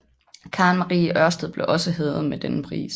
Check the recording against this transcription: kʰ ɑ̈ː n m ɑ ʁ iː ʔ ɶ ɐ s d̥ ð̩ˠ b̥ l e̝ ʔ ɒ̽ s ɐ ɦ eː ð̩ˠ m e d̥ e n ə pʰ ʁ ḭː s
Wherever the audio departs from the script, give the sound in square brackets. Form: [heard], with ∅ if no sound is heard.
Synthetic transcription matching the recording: kʰ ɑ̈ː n m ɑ ʁ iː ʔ ɶ ɐ s d̥ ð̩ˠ b̥ l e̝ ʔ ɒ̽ s [ə] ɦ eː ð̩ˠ m e d̥ e n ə pʰ ʁ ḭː s

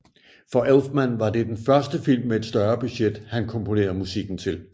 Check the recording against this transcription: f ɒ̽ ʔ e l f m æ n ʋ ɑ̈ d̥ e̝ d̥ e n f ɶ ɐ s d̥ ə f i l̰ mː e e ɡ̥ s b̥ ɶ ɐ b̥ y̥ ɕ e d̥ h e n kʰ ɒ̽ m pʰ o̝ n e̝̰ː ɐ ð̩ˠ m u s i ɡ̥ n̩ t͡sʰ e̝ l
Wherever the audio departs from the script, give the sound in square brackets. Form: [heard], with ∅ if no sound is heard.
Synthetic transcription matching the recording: f ɒ̽ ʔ e l f m æ n ʋ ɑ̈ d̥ e̝ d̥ e n f ɶ ɐ s d̥ ə f i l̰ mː e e [d̥] s [d̥] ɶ ɐ b̥ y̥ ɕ e d̥ h [æ] n kʰ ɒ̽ m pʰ o̝ n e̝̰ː ɐ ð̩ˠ m u s i ɡ̥ n̩ t͡sʰ e̝ l

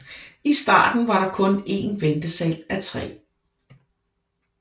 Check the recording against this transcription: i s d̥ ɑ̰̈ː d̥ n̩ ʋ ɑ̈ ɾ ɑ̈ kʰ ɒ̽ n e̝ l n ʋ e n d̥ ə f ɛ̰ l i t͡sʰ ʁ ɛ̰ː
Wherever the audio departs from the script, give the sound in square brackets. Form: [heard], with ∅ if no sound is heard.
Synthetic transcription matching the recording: i s d̥ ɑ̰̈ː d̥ n̩ ʋ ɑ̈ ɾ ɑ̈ kʰ [ɔ̽] n e̝ [∅] n ʋ e n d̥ ə [s] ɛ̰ l [æ] t͡sʰ ʁ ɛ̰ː

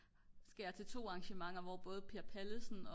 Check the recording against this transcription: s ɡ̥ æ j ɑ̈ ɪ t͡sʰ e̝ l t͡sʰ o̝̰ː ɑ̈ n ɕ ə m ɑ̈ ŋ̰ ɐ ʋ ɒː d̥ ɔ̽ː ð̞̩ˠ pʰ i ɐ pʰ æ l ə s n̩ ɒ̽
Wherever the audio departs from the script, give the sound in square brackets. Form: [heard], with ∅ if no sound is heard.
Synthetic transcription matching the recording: s ɡ̥ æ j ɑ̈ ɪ t͡sʰ e̝ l t͡sʰ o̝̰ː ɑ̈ [ŋ] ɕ ə m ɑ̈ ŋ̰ ɐ ʋ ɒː [b̥] ɔ̽ː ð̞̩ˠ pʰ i ɐ pʰ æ l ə s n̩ ɒ̽

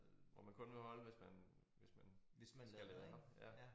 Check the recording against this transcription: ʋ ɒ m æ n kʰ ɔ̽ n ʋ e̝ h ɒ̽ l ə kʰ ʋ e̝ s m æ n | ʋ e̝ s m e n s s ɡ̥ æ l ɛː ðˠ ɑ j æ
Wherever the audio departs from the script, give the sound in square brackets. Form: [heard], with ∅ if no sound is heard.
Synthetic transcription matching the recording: ʋ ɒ m æ n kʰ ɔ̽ n ʋ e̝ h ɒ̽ l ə [∅] ʋ e̝ s m æ n | ʋ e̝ s m [æ] n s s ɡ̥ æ l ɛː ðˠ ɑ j æ

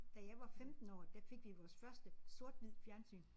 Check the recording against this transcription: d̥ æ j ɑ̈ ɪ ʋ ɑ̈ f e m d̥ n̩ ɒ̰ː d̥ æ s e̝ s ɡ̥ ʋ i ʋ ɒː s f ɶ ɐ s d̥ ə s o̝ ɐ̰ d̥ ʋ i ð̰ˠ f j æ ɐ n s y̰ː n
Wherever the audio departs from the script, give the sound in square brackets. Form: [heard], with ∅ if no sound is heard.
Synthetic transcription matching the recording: d̥ æ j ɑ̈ ɪ ʋ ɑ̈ f e m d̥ n̩ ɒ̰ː d̥ æ [f] e̝ [∅] ɡ̥ ʋ i ʋ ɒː s f ɶ ɐ s d̥ ə s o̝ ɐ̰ d̥ ʋ i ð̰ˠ f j æ ɐ n s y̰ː n

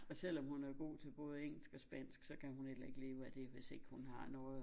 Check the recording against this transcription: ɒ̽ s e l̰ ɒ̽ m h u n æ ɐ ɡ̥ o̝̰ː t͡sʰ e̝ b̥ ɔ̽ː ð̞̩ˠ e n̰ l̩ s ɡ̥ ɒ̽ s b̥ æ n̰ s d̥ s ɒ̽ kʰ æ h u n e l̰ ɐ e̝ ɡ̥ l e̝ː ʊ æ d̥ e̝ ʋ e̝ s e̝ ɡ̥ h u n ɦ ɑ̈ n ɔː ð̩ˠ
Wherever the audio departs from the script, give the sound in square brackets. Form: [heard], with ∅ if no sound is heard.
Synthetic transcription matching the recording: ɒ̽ s e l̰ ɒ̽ m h u n æ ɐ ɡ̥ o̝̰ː t͡sʰ e̝ b̥ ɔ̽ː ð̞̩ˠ e [ŋ̰] l̩ s ɡ̥ ɒ̽ s b̥ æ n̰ s [ɡ̥] s ɒ̽ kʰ æ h u n e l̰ ɐ e̝ ɡ̥ l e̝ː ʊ æ d̥ e̝ ʋ e̝ s e̝ ɡ̥ h u n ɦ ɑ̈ n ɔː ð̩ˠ

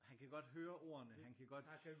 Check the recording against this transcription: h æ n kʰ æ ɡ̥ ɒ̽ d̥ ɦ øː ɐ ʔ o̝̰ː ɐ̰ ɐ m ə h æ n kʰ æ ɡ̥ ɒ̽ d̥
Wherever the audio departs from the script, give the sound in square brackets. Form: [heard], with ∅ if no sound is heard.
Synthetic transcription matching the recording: h æ n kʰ æ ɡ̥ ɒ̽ d̥ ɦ øː ɐ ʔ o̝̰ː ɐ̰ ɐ [n] ə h æ n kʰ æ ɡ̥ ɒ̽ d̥

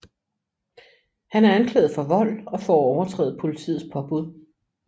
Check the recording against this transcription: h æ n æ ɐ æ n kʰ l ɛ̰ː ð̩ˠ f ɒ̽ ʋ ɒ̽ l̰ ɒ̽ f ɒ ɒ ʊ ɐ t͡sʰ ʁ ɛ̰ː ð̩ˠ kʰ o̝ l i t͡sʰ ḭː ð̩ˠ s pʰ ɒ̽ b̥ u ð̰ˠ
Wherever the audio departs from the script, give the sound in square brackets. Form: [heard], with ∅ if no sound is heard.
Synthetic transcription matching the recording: h æ n æ ɐ æ n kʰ l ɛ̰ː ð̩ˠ f ɒ̽ ʋ ɒ̽ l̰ ɒ̽ f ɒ ɒ ʊ ɐ t͡sʰ ʁ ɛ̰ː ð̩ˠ [pʰ] o̝ l i t͡sʰ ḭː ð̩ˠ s pʰ ɒ̽ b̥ u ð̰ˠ

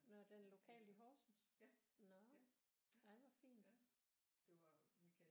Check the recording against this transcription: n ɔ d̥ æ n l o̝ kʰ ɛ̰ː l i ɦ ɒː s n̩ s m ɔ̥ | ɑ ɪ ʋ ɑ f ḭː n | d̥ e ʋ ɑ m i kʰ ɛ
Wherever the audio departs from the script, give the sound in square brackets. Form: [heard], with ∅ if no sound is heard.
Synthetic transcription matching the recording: n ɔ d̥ [e] n l o̝ kʰ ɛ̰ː l i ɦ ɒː s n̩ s [n] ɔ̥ | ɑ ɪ ʋ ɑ f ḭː n | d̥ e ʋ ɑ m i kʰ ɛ

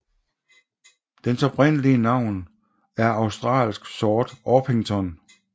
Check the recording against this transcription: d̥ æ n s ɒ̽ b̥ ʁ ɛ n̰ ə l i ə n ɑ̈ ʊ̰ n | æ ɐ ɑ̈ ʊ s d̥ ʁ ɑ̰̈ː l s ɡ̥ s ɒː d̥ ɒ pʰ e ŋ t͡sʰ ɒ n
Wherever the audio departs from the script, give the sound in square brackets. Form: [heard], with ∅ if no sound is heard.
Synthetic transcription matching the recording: d̥ [e] n s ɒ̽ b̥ ʁ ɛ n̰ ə l i ə n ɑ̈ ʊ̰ n | æ ɐ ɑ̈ ʊ s d̥ ʁ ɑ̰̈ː l s ɡ̥ s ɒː d̥ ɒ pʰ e ŋ t͡sʰ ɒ n

